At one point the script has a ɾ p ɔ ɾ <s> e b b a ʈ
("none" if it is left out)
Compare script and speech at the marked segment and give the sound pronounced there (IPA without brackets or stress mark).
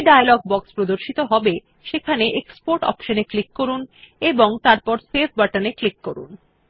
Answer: s